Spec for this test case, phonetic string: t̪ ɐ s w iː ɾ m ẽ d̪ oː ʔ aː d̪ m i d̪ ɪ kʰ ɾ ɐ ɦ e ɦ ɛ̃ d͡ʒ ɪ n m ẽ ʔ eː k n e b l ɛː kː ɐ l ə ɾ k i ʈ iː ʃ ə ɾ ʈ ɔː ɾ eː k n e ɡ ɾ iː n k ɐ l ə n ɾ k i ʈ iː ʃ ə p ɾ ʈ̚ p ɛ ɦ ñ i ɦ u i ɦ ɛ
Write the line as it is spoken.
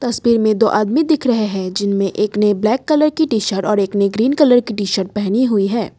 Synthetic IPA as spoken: t̪ ɐ s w iː ɾ m ẽ d̪ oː ʔ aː d̪ m i d̪ ɪ kʰ ɾ ɐ ɦ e ɦ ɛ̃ d͡ʒ ɪ n m ẽ ʔ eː k n e b l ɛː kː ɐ l ə ɾ k i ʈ iː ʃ ə ɾ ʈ ɔː ɾ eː k n e ɡ ɾ iː n k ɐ l ə ɾ k i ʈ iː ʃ ə ɾ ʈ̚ p ɛ ɦ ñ i ɦ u i ɦ ɛː

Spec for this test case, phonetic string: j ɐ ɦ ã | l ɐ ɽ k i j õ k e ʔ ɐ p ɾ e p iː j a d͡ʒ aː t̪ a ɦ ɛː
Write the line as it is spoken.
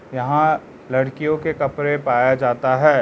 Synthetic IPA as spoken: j ɐ ɦ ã | l ɐ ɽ k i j õ k e k ɐ p ɾ e p aː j a d͡ʒ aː t̪ a ɦ ɛː

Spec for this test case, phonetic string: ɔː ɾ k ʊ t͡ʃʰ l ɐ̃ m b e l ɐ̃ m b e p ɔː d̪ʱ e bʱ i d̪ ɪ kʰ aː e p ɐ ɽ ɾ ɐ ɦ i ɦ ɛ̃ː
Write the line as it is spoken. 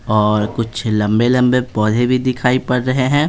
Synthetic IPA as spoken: ɔː ɾ k ʊ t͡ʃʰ l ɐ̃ m b e l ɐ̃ m b e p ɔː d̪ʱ e bʱ i d̪ ɪ kʰ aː i p ɐ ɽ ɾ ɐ ɦ e ɦ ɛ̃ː

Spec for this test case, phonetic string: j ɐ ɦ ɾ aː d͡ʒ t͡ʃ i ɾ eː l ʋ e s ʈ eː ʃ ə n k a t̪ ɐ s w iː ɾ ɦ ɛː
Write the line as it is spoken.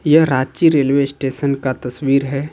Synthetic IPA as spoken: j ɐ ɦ ɾ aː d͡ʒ t͡ʃ i ɾ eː l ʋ e s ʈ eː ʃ ə n k a t̪ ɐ s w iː ɾ ɦ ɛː

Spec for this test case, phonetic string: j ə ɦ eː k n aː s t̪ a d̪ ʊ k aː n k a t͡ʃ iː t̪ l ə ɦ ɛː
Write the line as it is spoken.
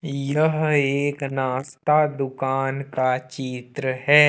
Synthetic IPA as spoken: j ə ɦ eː k n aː s t̪ a d̪ ʊ k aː n k a t͡ʃ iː t̪ ɾ ə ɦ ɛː

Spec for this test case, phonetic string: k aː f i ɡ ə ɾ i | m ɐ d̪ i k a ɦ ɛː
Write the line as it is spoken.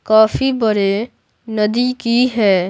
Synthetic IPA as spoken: k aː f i b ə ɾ e | n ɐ d̪ i k i ɦ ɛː

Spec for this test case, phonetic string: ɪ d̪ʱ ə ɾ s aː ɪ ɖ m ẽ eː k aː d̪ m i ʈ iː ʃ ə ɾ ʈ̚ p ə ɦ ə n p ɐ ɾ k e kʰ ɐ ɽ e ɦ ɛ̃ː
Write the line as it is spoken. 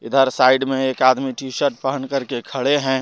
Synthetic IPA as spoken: ɪ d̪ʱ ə ɾ s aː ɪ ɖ m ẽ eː k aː d̪ m i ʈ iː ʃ ə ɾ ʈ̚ p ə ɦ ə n k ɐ ɾ k e kʰ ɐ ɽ e ɦ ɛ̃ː

